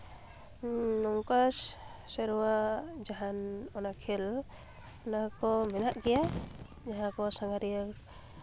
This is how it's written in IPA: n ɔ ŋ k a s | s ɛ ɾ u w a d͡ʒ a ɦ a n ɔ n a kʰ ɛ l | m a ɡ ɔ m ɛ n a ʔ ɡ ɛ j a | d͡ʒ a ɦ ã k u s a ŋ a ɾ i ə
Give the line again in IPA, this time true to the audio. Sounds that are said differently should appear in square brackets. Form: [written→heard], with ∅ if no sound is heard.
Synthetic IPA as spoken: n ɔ ŋ k a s | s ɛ ɾ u w a d͡ʒ a ɦ a n ɔ n a kʰ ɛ l | [m→n] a [ɡ→k] ɔ m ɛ n a ʔ ɡ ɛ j a | d͡ʒ a ɦ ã k [u→ɔ] s a ŋ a ɾ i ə